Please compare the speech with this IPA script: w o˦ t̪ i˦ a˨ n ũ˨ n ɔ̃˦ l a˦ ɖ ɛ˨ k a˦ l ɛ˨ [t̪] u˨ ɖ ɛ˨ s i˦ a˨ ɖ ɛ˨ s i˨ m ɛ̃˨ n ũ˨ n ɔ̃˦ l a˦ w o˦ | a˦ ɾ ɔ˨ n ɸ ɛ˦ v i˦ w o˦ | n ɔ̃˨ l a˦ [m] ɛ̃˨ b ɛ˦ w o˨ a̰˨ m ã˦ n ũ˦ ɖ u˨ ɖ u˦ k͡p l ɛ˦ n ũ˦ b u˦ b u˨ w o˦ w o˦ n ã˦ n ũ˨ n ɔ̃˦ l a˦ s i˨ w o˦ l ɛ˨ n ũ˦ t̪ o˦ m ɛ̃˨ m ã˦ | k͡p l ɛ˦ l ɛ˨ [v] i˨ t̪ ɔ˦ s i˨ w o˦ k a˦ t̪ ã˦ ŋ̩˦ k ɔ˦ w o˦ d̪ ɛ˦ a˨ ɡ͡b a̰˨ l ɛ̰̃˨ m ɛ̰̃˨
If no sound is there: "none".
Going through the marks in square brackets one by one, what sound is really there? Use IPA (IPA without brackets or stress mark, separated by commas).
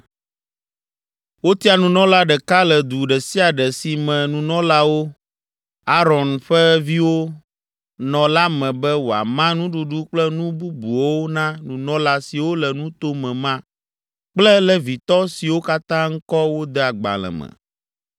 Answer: d̪, m, v